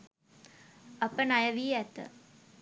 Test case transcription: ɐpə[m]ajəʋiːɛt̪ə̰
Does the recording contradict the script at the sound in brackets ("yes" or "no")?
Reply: yes